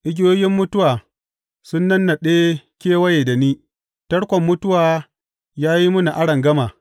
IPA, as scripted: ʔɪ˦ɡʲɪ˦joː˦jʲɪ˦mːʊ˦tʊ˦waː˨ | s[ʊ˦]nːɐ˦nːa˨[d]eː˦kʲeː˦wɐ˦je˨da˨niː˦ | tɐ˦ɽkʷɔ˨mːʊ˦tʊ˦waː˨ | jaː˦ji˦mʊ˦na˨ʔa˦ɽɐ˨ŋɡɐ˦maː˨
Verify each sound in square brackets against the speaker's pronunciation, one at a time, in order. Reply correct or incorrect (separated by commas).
correct, incorrect